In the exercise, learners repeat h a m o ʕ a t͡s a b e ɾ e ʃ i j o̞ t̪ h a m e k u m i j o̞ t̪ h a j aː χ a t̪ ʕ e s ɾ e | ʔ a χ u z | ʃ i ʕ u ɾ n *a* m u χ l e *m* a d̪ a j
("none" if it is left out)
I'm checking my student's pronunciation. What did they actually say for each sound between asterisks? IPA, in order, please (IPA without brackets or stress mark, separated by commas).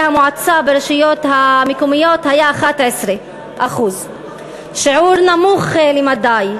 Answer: a, m